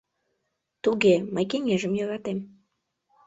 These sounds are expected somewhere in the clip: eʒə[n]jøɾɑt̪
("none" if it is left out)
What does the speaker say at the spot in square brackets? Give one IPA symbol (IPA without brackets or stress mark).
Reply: m